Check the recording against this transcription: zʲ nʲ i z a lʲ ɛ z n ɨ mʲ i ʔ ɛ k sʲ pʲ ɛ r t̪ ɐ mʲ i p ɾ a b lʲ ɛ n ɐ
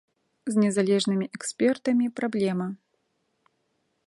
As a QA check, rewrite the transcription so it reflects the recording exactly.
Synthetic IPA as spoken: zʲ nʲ ɛ z a lʲ ɛ ʐ n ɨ mʲ i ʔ ɛ k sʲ pʲ ɛ r t̪ ɐ mʲ i p ɾ a b lʲ ɛ m ɐ